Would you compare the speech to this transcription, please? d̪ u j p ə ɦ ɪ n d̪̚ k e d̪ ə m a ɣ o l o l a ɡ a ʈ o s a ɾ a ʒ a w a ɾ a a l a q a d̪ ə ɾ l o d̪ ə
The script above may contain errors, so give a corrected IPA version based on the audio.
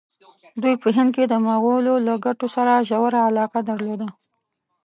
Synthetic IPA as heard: d̪ u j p ə ɦ ɪ n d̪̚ k e d̪ ə m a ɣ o l o l a ɡ a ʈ o s a ɾ a ʒ a w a ɾ a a l ɑ q a d̪ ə ɾ l o d̪ a